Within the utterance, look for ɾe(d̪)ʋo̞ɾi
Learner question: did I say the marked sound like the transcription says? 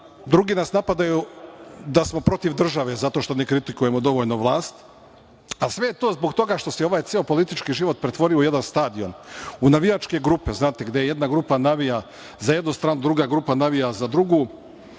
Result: no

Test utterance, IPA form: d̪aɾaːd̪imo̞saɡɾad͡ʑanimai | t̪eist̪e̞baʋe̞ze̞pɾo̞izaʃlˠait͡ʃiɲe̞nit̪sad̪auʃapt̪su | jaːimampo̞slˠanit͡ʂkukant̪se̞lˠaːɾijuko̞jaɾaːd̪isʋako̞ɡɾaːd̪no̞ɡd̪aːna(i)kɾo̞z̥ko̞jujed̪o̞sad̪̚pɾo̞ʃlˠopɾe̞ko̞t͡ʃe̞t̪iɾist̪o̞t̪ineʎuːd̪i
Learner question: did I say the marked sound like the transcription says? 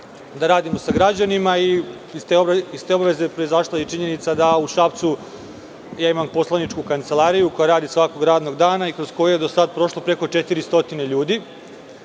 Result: yes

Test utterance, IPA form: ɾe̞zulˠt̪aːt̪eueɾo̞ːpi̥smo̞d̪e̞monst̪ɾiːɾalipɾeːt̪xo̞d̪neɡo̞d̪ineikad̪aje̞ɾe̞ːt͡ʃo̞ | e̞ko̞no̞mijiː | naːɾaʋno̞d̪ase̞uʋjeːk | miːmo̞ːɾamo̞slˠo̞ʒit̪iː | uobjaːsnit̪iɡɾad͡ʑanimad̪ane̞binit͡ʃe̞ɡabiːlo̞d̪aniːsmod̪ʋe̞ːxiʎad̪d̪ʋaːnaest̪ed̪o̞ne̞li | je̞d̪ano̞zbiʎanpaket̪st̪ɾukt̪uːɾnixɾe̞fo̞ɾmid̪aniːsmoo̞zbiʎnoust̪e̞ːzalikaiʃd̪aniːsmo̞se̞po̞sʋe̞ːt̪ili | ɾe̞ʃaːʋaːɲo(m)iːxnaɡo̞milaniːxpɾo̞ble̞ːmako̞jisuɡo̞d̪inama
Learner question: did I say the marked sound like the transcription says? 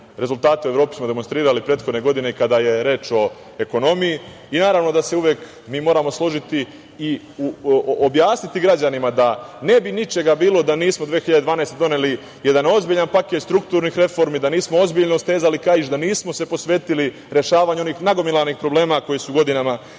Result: no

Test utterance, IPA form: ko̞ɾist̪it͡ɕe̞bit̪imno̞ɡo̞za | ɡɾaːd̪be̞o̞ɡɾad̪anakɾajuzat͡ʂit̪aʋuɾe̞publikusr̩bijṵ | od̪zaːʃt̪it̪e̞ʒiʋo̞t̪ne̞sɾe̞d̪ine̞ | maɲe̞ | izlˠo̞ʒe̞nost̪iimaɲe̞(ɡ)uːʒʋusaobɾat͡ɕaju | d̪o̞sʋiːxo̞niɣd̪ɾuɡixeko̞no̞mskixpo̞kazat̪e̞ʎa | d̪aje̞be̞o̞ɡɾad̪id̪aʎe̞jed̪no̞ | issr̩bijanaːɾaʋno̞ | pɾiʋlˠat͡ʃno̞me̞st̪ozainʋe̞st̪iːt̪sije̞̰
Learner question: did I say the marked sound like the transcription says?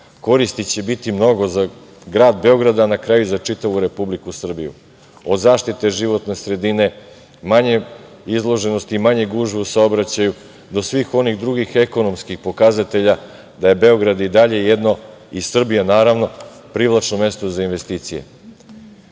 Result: yes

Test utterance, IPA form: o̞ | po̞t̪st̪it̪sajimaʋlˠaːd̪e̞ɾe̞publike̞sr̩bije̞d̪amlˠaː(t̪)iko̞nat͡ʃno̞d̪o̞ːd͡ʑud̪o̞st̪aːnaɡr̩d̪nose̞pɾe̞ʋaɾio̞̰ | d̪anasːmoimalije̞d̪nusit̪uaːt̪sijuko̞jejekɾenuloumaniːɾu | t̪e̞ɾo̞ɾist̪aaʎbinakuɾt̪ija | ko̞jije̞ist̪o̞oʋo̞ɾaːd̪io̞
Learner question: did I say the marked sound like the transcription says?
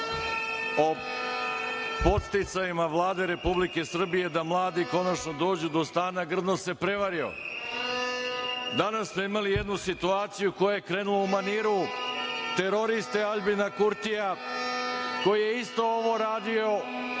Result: no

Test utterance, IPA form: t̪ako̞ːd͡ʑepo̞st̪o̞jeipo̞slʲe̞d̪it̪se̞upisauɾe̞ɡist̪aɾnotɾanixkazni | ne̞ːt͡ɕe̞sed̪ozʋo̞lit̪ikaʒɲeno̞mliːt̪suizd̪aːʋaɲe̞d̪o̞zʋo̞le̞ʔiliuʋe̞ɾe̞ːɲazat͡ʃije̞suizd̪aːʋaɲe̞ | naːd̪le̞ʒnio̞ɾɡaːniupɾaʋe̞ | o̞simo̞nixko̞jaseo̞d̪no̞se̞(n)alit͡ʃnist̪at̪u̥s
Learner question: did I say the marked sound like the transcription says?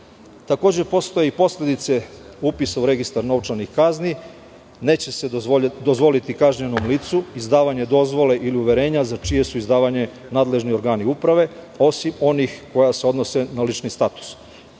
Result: yes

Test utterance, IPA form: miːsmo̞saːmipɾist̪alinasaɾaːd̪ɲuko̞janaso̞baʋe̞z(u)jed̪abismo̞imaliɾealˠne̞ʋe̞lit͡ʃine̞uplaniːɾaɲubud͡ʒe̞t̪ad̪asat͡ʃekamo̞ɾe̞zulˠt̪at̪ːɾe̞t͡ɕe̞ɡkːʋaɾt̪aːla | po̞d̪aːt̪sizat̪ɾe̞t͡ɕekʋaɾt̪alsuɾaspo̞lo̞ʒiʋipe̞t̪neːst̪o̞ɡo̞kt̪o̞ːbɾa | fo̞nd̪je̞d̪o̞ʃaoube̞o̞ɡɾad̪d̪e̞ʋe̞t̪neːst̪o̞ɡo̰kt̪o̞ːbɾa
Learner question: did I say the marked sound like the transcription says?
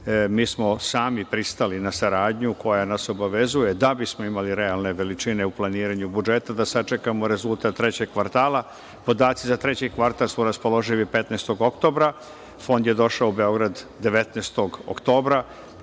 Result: yes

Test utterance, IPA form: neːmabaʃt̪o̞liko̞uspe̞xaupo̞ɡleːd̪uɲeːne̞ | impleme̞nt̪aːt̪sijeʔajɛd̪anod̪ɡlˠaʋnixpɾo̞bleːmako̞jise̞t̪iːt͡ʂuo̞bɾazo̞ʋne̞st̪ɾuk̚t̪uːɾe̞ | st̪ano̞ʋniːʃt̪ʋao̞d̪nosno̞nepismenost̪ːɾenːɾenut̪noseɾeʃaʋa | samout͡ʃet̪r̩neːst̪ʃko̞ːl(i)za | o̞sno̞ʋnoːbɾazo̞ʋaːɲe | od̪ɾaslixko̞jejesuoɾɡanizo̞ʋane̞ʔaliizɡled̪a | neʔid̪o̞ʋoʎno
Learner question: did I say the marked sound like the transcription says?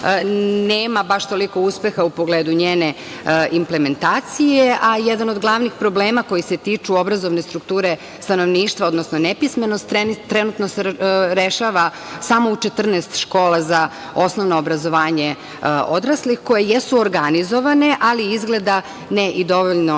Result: no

